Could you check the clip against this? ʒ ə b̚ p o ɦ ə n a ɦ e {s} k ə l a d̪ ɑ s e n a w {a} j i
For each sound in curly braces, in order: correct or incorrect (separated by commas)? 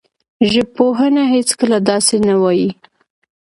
incorrect, incorrect